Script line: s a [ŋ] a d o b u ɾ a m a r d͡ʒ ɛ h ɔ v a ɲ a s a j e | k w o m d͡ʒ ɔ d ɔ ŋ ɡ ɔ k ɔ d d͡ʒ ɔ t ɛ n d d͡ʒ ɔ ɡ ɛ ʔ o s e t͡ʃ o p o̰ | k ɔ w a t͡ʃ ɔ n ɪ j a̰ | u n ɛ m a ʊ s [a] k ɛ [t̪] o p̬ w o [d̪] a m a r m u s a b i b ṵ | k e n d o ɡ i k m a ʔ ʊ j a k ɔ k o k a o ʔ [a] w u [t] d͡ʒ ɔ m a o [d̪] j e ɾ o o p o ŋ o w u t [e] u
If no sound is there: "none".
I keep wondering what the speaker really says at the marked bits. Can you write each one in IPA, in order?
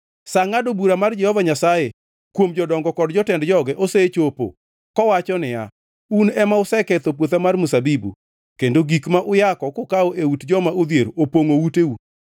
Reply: ŋ, ɛ, t̪, t̪, e, t, d̪, e

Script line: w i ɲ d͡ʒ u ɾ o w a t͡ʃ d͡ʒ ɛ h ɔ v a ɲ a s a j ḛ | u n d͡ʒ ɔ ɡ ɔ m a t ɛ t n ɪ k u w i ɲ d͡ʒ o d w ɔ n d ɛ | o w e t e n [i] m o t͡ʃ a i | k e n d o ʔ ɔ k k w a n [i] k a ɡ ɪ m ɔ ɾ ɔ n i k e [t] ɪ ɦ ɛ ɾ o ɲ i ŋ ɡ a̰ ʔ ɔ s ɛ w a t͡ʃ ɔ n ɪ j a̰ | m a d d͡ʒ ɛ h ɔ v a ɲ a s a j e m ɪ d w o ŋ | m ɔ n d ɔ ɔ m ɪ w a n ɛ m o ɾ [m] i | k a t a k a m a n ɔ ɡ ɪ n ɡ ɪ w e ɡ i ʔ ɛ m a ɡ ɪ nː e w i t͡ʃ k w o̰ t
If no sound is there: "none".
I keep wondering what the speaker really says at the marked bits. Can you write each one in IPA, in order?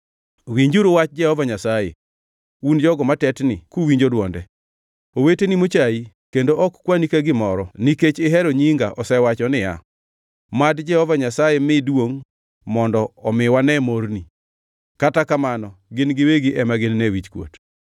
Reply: i, i, t͡ʃ, n

